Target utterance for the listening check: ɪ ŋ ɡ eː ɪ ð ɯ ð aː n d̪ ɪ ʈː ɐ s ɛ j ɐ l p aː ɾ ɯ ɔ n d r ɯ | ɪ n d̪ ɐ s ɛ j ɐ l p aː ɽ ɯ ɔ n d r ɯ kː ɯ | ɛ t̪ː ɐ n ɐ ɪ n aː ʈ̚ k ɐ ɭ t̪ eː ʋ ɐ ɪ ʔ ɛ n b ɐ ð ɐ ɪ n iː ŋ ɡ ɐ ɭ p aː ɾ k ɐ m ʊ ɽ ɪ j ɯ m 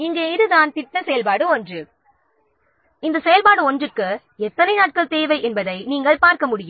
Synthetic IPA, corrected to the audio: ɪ ŋ ɡ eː ɪ ð ɯ ð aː n t̪ ɪ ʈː ɐ s ɛ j ɐ l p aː ɽ ɯ ɔ n d r ɯ | ɪ n d̪ ɐ s ɛ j ɐ l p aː ɽ ɯ ɔ n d r ɯ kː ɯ | ɛ t̪ː ɐ n ɐ ɪ n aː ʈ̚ k ɐ ɭ t̪ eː ʋ ɐ ɪ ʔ ɛ n b ɐ ð ɐ ɪ n iː ŋ ɡ ɐ ɭ p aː ɾ k ɐ m ʊ ɽ ɪ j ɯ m